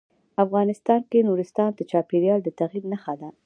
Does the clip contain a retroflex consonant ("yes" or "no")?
no